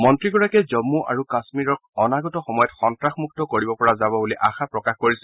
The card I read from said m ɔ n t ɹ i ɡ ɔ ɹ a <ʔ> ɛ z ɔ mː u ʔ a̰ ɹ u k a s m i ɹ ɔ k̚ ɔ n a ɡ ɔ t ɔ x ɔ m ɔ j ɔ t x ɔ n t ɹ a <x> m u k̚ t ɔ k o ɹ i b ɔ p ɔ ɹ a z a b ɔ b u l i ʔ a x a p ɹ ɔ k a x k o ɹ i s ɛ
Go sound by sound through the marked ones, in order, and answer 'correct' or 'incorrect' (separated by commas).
incorrect, correct